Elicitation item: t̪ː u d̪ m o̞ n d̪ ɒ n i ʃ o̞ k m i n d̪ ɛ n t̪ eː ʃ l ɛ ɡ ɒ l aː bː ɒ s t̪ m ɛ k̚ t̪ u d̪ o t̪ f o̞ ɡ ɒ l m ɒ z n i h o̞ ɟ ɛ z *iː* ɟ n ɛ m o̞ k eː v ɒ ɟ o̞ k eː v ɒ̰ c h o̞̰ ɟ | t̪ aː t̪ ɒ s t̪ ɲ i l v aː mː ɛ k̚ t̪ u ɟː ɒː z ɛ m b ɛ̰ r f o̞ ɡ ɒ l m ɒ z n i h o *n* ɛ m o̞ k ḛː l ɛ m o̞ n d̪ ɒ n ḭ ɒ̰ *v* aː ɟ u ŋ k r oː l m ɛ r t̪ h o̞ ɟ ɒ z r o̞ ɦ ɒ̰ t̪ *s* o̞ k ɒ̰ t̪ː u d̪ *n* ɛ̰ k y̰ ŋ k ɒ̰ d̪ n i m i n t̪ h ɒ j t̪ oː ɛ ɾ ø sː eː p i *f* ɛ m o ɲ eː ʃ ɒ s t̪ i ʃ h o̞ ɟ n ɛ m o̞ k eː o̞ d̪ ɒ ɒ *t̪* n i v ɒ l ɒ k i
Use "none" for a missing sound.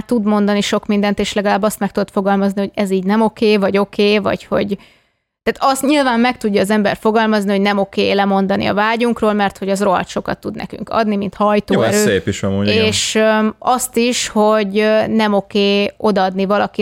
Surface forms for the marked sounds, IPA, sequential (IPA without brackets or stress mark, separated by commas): iː, n, v, ʃ, n, ʃ, d̪